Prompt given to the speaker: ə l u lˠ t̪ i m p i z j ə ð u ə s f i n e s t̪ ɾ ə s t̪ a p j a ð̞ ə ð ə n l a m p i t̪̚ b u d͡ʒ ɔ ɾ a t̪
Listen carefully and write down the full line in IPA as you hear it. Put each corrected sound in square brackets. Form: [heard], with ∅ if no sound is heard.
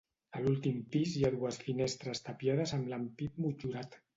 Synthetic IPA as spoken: ə l u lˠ t̪ i m p i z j [a] ð u ə s f i n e s t̪ ɾ ə s t̪ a p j a ð̞ ə [z] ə [m] l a m p i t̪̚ [m] u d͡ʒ [u] ɾ a t̪